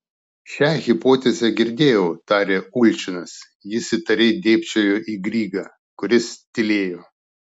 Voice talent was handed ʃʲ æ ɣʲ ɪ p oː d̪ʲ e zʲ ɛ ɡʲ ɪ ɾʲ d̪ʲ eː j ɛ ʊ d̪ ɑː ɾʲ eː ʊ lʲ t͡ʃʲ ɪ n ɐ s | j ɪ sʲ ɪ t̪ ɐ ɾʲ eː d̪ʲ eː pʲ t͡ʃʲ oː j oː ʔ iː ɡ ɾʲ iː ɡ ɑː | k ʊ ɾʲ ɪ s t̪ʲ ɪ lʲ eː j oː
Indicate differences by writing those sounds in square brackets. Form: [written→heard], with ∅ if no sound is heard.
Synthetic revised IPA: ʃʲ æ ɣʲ ɪ p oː [d̪ʲ→t̪ʲ] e zʲ ɛ ɡʲ ɪ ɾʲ d̪ʲ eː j ɛ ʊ [d̪→t̪] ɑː ɾʲ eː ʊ lʲ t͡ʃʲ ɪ n ɐ s | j ɪ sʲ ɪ t̪ ɐ ɾʲ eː d̪ʲ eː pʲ t͡ʃʲ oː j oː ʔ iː ɡ ɾʲ iː ɡ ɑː | k ʊ ɾʲ ɪ s t̪ʲ ɪ lʲ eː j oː